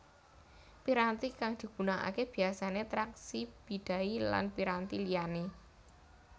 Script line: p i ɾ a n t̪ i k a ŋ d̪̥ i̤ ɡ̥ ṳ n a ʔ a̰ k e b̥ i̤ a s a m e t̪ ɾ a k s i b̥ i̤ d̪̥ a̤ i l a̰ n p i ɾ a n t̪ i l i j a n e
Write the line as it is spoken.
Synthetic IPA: p i ɾ a n t̪ i k a ŋ d̪̥ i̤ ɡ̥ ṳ n a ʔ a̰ k e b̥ i̤ a s a n e t̪ ɾ a k s i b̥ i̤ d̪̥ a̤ i l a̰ n p i ɾ a n t̪ i l i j a n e

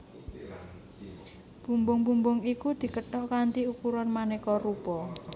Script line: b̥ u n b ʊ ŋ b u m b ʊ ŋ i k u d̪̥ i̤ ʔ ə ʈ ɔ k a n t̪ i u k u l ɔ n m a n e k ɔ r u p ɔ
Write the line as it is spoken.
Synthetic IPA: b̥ u m b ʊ ŋ b u m b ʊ ŋ i k u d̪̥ i̤ k ə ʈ ɔ k a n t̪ i u k u ɾ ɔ n m a n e k ɔ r u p ɔ

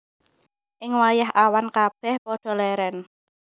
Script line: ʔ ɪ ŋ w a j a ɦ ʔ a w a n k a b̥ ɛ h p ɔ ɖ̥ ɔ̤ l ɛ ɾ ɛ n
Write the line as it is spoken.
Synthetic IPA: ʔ ɪ ŋ w a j a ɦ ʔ a w a n k a b̥ ɛ h p ɔ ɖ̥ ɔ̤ l ɛ ɾ ɛ n

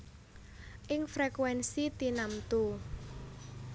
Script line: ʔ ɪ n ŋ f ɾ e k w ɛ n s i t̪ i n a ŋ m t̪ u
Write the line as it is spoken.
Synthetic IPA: ʔ ɪ ŋ f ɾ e k w ɛ n s i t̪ i n a m t̪ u

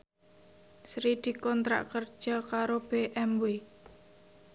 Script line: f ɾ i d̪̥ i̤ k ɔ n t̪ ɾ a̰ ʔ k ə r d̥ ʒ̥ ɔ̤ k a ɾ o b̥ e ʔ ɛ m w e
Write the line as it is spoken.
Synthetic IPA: s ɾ i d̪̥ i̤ k ɔ n t̪ ɾ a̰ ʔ k ə r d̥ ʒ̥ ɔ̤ k a ɾ o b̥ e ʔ ɛ m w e

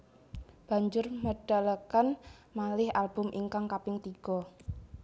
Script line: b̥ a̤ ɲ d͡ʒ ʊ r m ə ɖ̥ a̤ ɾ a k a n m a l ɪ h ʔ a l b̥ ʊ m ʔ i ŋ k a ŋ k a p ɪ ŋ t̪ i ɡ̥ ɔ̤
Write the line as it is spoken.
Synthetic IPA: b̥ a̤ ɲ d͡ʒ ʊ r m ə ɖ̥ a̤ l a k a n m a l ɪ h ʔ a l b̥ ʊ m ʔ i ŋ k a ŋ k a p ɪ ŋ t̪ i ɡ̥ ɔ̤

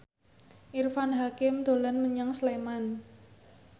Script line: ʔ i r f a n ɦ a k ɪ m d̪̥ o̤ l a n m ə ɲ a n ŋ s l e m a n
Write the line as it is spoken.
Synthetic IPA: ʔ i r f a n ɦ a k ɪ m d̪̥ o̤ l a n m ə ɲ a ŋ s l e m a n

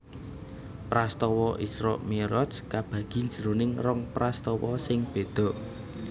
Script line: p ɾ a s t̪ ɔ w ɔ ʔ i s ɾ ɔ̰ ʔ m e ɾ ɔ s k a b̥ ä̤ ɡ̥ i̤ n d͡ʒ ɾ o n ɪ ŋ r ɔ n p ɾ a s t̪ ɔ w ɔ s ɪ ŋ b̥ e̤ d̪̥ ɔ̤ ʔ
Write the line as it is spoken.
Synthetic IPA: p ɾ a s t̪ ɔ w ɔ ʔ i s ɾ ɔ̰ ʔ m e ɾ ɔ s k a b̥ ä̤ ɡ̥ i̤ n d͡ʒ ɾ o n ɪ ŋ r ɔ ŋ p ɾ a s t̪ ɔ w ɔ s ɪ ŋ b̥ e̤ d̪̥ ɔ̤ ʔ

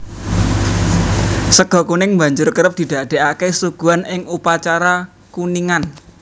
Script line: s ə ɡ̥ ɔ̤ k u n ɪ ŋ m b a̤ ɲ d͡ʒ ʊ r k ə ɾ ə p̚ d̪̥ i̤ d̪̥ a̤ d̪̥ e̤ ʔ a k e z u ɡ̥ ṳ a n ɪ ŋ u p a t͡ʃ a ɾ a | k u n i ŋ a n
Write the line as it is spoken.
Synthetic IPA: s ə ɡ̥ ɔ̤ k u n ɪ ŋ m b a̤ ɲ d͡ʒ ʊ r k ə ɾ ə p̚ d̪̥ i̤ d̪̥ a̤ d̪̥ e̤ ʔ a k e s u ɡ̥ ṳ a n ɪ ŋ u p a t͡ʃ a ɾ a | k u n i ŋ a n

